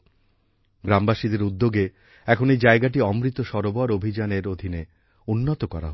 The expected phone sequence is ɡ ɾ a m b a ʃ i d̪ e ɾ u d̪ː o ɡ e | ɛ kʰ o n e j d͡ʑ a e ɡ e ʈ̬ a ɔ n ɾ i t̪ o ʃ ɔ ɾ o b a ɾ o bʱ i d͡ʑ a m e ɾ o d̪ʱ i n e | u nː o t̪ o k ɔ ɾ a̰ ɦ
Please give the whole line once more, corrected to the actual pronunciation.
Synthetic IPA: ɡ ɾ a m b a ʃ i d̪ e ɾ u d̪ː o ɡ e | ɛ kʰ o n e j d͡ʑ a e ɡ a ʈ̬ i ɔ m ɾ i t̪ o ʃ ɔ ɾ o b a ɾ o bʱ i d͡ʑ a n e ɾ o d̪ʱ i n e | u nː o t̪ o k ɔ ɾ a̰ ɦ